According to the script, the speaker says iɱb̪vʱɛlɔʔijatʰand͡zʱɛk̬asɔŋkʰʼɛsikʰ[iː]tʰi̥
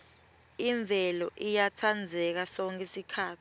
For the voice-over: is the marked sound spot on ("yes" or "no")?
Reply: no